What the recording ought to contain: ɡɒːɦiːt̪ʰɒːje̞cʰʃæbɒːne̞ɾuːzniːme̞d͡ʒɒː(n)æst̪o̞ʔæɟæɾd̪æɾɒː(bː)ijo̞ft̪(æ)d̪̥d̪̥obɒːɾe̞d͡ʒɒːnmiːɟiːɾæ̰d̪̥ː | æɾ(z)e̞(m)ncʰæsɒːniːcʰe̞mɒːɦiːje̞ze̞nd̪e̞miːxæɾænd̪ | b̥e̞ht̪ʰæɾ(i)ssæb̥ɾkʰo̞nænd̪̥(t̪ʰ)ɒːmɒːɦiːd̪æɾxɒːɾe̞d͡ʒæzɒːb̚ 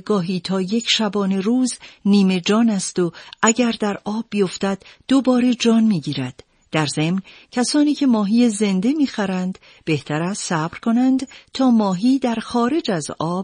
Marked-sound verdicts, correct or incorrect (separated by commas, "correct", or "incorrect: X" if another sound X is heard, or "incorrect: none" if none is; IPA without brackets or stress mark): correct, correct, correct, correct, correct, incorrect: æ, correct